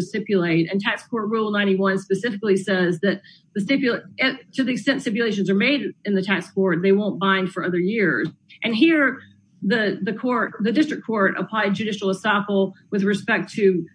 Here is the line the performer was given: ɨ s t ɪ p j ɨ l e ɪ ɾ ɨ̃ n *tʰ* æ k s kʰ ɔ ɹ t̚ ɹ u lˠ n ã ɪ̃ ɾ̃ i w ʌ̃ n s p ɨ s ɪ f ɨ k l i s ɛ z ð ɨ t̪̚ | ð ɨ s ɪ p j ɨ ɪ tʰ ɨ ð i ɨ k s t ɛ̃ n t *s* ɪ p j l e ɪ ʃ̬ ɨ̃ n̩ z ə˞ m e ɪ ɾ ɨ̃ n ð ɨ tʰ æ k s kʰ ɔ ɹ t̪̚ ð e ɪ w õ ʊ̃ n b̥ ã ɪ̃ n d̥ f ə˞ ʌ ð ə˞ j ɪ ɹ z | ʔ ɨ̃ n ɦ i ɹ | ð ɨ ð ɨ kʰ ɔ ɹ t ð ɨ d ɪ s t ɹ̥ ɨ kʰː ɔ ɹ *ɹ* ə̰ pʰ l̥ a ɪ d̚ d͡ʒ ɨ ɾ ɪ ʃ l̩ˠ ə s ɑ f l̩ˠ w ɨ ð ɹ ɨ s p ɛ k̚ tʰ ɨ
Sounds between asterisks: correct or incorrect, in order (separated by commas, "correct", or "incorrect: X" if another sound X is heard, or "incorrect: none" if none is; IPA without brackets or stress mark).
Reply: correct, correct, incorrect: ɾ